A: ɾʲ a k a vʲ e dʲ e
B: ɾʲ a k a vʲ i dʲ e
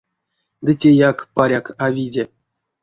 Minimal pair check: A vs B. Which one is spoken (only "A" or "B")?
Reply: B